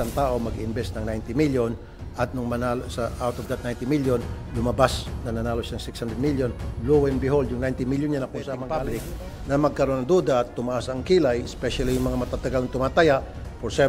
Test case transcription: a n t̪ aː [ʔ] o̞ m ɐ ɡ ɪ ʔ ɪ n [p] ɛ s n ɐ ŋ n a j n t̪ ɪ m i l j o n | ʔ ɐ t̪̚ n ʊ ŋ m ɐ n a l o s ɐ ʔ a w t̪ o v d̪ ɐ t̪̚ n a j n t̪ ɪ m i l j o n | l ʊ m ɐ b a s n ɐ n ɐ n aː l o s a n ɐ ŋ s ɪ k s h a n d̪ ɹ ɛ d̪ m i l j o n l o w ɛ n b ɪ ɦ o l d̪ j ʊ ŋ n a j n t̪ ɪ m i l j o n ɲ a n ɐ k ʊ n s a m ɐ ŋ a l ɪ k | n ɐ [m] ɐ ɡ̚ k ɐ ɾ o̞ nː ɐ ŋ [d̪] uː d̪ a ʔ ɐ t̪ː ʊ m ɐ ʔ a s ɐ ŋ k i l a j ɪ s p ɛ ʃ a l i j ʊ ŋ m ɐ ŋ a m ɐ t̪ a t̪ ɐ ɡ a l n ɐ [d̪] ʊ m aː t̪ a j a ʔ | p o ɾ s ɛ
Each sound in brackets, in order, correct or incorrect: correct, incorrect: b, correct, correct, incorrect: t̪

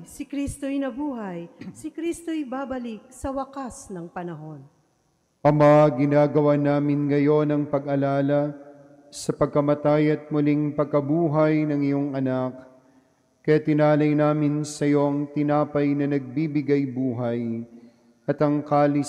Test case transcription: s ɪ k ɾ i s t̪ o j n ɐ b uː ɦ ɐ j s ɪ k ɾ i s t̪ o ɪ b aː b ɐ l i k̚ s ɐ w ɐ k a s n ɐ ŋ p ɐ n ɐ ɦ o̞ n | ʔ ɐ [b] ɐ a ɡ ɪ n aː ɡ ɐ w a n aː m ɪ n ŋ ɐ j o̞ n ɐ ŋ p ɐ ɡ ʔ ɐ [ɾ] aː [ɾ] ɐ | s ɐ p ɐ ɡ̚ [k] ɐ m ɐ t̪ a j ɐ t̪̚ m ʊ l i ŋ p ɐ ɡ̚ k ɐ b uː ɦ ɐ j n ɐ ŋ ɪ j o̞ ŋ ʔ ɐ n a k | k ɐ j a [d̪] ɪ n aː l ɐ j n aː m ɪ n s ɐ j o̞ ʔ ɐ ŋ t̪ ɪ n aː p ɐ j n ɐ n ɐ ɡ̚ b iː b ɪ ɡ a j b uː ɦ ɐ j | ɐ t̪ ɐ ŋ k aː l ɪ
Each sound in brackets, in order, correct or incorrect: incorrect: m, incorrect: l, incorrect: l, correct, incorrect: t̪

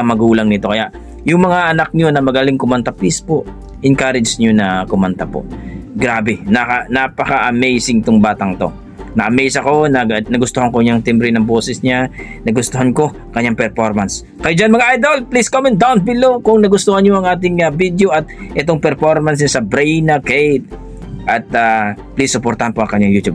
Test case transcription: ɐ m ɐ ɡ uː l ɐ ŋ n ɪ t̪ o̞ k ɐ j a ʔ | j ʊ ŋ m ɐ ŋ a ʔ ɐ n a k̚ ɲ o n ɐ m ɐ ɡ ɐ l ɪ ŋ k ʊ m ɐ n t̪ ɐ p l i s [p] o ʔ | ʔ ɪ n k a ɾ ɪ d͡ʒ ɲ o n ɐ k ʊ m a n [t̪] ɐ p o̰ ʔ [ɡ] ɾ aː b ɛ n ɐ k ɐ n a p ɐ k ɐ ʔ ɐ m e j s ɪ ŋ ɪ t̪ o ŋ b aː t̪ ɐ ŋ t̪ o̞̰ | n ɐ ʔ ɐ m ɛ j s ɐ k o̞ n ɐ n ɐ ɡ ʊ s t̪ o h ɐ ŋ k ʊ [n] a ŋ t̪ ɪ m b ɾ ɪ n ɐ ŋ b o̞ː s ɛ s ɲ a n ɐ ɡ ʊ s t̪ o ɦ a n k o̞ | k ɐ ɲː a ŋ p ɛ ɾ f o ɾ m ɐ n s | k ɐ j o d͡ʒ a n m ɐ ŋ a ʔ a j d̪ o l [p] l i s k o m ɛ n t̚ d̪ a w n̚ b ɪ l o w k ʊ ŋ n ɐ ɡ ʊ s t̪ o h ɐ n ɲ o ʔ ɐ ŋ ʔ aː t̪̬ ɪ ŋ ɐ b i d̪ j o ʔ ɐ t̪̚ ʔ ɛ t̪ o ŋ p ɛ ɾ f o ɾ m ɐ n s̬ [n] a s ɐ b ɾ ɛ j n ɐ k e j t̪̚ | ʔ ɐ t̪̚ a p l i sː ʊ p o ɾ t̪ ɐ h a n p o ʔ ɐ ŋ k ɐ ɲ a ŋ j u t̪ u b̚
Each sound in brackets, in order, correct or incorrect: correct, correct, correct, incorrect: ɲ, correct, incorrect: ɲ

